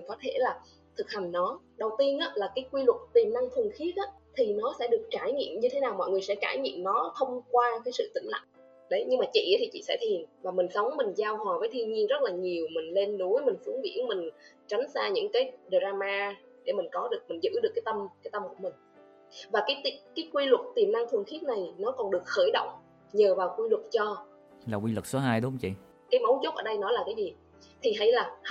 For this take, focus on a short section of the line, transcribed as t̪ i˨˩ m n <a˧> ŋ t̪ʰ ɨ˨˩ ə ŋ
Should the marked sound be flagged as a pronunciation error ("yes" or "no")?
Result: no